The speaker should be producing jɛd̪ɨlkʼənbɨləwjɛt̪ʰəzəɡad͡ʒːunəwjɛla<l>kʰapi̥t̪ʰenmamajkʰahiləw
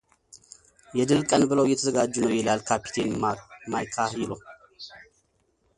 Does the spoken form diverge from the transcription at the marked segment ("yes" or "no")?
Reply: no